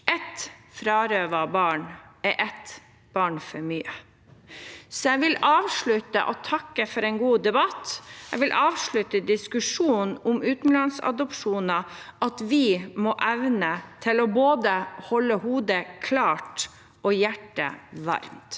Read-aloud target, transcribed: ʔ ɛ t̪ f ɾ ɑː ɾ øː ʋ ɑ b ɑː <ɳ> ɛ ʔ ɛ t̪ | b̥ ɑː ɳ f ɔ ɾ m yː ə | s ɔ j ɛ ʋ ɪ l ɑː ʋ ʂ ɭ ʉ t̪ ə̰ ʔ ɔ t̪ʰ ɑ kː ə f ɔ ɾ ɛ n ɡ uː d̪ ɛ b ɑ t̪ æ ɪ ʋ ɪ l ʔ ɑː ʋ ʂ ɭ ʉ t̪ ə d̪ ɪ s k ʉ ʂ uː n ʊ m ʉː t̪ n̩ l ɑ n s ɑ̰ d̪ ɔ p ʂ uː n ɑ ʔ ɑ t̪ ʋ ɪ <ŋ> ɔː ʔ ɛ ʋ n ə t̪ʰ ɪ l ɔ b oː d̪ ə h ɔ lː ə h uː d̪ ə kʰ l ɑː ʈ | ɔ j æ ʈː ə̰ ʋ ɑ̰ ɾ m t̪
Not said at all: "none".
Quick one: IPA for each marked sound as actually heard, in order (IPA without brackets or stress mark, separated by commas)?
ɳ, m